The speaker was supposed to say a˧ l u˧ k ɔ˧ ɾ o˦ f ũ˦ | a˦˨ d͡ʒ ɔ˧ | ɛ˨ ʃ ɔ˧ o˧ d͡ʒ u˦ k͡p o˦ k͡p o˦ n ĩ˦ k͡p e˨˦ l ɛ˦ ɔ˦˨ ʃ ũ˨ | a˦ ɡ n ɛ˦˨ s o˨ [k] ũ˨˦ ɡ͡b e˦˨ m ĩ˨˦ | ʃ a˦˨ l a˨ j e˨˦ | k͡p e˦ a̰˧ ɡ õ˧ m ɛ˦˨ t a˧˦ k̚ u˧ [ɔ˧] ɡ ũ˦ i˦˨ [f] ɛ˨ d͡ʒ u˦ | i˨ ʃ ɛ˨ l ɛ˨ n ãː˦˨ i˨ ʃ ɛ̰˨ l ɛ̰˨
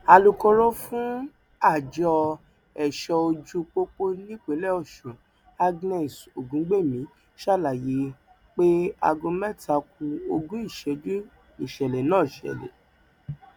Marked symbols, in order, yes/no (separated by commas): no, no, no